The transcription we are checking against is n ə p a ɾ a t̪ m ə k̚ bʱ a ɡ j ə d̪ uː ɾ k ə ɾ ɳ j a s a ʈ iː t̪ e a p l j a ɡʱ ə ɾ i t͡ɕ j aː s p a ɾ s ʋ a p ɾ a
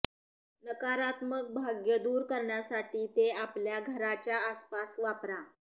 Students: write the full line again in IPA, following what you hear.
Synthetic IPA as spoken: n ə k a ɾ a t̪ m ə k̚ bʱ a ɡ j ə d̪ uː ɾ k ə ɾ ɳ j a s a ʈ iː t̪ e a p l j a ɡʱ ə ɾ a t͡ɕ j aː s p a s ʋ a p ɾ a